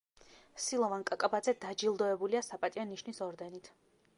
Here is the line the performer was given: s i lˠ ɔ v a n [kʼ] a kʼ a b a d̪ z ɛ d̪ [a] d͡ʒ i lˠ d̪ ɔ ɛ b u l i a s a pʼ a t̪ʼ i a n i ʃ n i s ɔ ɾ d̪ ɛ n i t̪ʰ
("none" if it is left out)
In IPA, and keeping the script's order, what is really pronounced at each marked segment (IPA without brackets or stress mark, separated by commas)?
kʼ, a